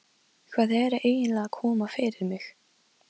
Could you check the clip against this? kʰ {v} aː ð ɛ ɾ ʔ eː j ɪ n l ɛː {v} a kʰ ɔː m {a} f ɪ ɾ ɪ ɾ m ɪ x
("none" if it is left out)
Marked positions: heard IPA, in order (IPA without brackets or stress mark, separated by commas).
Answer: v, ɣ, a